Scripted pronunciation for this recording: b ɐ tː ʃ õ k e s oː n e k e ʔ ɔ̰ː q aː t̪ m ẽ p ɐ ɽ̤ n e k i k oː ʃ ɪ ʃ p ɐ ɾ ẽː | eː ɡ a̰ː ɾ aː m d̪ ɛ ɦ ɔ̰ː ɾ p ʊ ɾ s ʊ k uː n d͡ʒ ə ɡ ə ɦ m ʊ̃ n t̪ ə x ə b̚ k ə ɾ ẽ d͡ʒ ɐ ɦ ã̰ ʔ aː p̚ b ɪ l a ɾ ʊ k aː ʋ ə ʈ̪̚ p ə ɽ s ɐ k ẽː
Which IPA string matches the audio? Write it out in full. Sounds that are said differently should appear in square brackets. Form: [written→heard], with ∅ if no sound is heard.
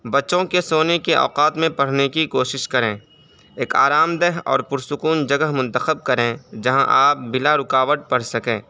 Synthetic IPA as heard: b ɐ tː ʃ õ k e s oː n e k e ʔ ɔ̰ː q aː t̪ m ẽ p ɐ ɽ̤ n e k i k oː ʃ ɪ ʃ [p→k] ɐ ɾ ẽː | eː [ɡ→k] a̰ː ɾ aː m d̪ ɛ ɦ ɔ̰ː ɾ p ʊ ɾ s ʊ k uː n d͡ʒ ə ɡ ə ɦ m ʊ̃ n t̪ ə x ə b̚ k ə ɾ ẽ d͡ʒ ɐ ɦ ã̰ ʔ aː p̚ b ɪ l a ɾ ʊ k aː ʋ ə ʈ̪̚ p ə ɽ s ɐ k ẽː